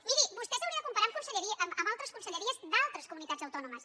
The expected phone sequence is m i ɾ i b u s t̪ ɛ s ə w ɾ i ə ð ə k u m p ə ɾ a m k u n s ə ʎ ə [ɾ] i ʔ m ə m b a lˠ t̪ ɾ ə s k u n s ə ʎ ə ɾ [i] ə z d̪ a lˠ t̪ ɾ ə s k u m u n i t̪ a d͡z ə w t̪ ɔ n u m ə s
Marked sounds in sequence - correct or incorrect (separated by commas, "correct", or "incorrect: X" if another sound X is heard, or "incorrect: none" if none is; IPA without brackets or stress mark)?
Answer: correct, correct